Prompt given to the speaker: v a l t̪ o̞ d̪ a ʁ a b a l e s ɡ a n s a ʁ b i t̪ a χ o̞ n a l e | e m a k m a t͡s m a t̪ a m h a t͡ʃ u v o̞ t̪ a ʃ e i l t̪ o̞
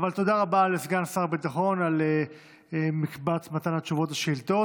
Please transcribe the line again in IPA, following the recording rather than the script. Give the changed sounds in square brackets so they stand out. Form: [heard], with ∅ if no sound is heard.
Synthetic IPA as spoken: v a l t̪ o̞ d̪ a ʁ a b a l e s ɡ a n s a ʁ b i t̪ a χ o̞ n a l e | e m [i] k [b] a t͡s m a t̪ a [n] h a t͡ʃ u v o̞ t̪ a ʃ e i l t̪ o̞

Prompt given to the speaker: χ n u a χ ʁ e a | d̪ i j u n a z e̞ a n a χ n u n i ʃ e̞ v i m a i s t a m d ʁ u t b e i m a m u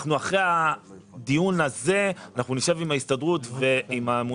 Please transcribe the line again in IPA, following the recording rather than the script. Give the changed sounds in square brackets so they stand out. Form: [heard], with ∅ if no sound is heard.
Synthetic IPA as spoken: χ n u a χ ʁ e a | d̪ i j u n a z e̞ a n a χ n u n i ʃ e̞ v i m a i s t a [∅] d ʁ u t [v] e i m a m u

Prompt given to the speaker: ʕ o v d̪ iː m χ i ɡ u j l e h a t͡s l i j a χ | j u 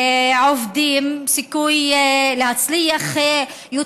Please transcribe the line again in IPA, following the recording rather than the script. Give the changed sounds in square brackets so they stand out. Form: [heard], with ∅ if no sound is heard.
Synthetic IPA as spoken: ʕ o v d̪ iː m [s] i [k] u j l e h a t͡s l i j a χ | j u

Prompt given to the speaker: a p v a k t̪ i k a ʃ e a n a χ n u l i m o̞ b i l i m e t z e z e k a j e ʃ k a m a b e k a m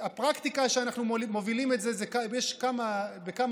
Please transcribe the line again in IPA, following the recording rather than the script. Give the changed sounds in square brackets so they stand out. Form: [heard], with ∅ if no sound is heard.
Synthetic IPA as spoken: a p [ʁ] a k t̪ i k a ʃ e a n a χ n u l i m o̞ [v] i l i m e t z e z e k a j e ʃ k a m a b e k a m

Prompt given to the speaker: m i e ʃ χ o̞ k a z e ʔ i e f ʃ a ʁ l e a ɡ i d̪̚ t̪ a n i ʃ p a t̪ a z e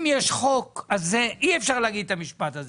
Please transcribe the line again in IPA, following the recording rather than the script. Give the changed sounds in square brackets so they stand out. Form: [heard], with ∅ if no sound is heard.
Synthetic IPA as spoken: m [j] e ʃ χ o̞ k a z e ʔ i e f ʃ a ʁ l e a ɡ i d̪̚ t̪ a [m] i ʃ p a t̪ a z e

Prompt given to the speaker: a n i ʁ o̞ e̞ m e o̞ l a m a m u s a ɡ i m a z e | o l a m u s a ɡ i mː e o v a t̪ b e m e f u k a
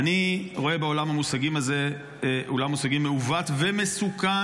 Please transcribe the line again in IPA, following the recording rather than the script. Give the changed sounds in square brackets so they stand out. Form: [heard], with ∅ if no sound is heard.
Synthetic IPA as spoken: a n i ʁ o̞ e̞ [b] e o̞ l a m a m u s a ɡ i m a z e | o l a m u s a ɡ i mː e [u] v a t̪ [v] e m e [s] u k a

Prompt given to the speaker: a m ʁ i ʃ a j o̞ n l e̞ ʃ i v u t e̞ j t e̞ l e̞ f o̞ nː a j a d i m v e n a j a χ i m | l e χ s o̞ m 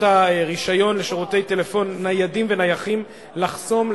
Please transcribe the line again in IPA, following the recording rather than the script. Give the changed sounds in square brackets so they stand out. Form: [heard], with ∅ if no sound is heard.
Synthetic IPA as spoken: a [∅] ʁ i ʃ a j o̞ n l e̞ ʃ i [ʁ] u t e̞ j t e̞ l e̞ f o̞ nː a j a d i m v e n a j a χ i m | l [a] χ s o̞ m

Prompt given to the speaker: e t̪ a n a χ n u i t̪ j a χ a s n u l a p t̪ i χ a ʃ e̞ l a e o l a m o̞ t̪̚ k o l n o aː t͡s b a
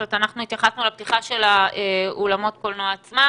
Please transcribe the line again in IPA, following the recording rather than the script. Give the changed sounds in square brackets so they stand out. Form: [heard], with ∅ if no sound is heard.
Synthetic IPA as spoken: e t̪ a n a χ n u i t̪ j a χ a s n u l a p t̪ i χ a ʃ e̞ l a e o l a m o̞ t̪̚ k o l n o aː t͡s [m] a

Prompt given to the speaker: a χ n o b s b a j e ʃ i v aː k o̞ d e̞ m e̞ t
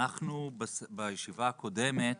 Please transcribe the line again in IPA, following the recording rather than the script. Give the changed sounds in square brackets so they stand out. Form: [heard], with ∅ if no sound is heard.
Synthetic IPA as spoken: a χ n [u] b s b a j e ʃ i v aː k o̞ d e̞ m e̞ t

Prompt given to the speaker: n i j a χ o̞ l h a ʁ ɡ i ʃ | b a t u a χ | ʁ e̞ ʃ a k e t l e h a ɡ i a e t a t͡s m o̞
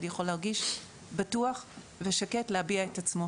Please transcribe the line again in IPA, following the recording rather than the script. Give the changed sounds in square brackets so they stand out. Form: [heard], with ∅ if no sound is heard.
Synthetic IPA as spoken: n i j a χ o̞ l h a ʁ ɡ i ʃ | b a t u a χ | [v] e̞ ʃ a k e t l e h a [b] i a e t a t͡s m o̞

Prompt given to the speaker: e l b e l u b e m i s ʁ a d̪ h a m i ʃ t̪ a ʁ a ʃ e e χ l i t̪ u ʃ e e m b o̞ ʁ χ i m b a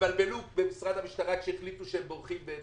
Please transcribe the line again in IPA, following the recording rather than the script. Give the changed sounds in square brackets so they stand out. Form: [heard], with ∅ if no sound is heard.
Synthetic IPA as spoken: [a] l b e l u b e m i s ʁ a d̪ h a m i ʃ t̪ a ʁ a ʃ e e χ l i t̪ u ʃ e e m b o̞ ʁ χ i m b [e]

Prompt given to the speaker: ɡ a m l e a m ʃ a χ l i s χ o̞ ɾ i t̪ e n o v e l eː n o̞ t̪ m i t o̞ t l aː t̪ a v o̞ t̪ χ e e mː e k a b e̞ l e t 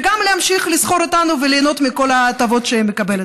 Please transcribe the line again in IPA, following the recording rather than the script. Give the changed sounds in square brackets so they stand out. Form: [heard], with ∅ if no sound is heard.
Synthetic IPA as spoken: ɡ a m l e a m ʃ [i] χ l i s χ o̞ ɾ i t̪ [a] n [u] v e l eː n o̞ t̪ m i [k] o̞ [∅] l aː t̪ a v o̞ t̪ [ʃ] e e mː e k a b e̞ l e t

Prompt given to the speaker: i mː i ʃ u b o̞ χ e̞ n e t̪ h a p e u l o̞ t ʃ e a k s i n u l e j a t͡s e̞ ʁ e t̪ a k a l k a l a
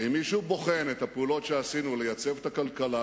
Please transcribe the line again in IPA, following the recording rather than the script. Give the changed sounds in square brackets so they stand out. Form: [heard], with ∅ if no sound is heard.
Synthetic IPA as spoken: i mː i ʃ u b o̞ χ e̞ n e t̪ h a p e u l o̞ t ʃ e a [∅] s i n u l e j a t͡s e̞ [v] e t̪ a k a l k a l a

